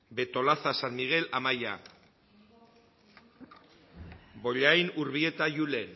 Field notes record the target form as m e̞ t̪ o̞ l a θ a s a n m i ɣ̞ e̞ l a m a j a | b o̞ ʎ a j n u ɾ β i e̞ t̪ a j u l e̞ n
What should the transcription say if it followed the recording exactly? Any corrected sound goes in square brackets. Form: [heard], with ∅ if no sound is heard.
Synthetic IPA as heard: [b] e̞ t̪ o̞ l a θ a s a n m i ɣ̞ e̞ l a m a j a | b o̞ ʎ a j n u ɾ β i e̞ t̪ a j u l e̞ n